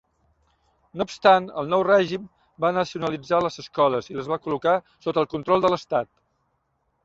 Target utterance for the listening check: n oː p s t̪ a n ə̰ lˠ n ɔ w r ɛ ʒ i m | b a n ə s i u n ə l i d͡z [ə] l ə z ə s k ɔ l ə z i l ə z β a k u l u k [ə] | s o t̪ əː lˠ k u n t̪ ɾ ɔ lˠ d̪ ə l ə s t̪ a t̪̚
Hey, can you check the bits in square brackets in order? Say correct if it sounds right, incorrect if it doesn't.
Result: incorrect, incorrect

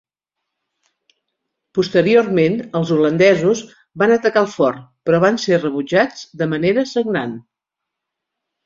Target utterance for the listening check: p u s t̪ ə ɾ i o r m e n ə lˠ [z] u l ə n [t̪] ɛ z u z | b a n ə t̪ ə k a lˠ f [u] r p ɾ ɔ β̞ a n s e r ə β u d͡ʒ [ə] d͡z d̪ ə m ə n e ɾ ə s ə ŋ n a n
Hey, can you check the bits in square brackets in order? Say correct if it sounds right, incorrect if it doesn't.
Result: correct, incorrect, incorrect, incorrect

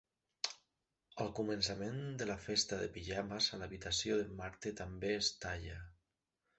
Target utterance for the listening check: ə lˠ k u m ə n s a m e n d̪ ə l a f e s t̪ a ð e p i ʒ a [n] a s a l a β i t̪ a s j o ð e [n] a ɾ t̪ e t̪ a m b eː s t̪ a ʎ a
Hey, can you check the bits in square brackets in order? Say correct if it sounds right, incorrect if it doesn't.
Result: incorrect, incorrect

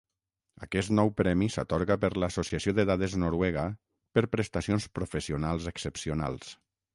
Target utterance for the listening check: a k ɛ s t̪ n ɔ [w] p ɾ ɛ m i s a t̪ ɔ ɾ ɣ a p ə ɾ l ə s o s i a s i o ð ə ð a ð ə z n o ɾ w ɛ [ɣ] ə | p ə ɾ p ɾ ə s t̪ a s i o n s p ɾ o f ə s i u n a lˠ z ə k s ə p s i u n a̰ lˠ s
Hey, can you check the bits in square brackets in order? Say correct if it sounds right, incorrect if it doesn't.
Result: correct, correct

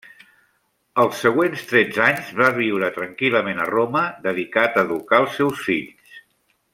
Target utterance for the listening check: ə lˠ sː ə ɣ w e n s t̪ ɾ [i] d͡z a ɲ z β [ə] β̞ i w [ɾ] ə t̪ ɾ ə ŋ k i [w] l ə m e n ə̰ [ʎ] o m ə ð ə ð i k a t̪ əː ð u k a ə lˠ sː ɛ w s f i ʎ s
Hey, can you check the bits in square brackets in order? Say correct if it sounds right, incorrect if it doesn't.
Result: incorrect, incorrect, correct, incorrect, incorrect

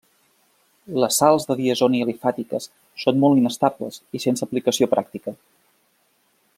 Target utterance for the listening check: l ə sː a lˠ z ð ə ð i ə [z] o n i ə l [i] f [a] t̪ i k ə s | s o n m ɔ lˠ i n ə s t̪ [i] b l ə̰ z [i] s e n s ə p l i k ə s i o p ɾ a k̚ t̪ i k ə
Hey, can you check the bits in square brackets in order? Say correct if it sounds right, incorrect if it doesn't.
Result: correct, correct, correct, incorrect, correct

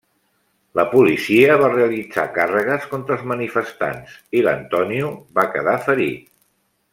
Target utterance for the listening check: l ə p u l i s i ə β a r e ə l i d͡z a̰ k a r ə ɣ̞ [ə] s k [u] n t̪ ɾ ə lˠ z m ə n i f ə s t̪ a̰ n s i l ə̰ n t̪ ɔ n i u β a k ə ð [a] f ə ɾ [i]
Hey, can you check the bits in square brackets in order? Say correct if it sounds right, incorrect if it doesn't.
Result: correct, incorrect, correct, correct

